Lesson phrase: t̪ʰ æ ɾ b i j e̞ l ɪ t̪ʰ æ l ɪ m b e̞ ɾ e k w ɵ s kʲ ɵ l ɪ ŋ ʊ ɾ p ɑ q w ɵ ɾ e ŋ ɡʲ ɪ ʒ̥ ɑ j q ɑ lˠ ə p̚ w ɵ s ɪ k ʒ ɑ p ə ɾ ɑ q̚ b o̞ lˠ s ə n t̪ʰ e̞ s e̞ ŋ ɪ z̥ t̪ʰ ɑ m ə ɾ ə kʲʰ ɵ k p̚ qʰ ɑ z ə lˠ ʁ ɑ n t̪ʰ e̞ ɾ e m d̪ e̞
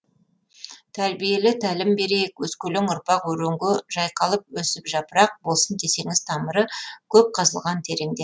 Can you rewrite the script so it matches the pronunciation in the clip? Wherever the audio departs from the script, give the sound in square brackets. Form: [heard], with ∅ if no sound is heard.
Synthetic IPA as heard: t̪ʰ æ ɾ b i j e̞ l ɪ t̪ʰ æ l ɪ m b e̞ ɾ e k w ɵ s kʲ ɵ l ɪ ŋ ʊ ɾ p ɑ q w ɵ ɾ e ŋ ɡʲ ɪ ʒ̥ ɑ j q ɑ lˠ ə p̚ w ɵ s ɪ [p] ʒ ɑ p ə ɾ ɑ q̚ b o̞ lˠ s ə n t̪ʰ e̞ s e̞ ŋ ɪ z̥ t̪ʰ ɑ m ə ɾ ə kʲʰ ɵ [∅] p̚ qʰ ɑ z ə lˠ ʁ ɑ n t̪ʰ e̞ ɾ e [ŋ] d̪ e̞

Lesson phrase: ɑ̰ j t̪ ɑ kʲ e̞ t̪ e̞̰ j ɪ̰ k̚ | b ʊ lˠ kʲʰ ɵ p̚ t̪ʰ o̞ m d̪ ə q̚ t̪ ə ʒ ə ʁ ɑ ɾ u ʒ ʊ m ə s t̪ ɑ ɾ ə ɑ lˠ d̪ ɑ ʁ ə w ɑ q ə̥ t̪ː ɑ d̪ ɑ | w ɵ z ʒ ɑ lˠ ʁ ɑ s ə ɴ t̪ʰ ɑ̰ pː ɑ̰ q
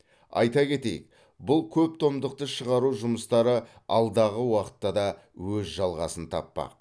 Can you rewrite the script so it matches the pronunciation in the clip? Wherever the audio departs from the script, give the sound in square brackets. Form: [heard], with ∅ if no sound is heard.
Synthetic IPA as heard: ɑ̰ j t̪ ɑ kʲ e̞ t̪ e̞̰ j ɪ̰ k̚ | b ʊ lˠ kʲʰ ɵ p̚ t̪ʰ o̞ m d̪ ə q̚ t̪ ə [ʃ] ə ʁ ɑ ɾ u ʒ ʊ m ə s t̪ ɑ ɾ ə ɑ lˠ d̪ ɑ ʁ ə w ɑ q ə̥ t̪ː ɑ d̪ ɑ | w ɵ z ʒ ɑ lˠ ʁ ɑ s ə [n] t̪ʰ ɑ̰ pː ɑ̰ q

